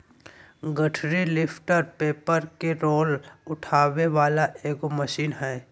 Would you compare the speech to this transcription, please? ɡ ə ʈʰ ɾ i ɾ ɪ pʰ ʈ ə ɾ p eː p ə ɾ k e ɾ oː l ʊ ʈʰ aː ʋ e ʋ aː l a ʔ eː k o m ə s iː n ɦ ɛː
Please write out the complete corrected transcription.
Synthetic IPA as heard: ɡ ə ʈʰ ɾ i l ɪ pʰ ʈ ə ɾ p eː p ə ɾ k e ɾ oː l ʊ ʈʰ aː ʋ e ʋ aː l a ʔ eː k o m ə ʃ iː n ɦ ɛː